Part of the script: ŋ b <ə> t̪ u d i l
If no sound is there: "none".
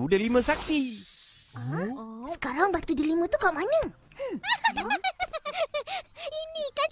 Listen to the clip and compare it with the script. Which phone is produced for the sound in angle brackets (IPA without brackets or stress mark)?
a